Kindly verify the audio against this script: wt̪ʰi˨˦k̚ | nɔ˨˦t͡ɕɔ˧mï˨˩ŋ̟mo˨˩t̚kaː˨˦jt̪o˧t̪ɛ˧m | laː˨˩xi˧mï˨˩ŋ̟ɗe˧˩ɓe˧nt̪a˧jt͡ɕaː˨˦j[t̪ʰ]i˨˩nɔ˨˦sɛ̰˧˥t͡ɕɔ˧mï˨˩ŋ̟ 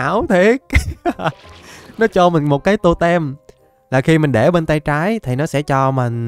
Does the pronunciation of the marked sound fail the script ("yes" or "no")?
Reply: no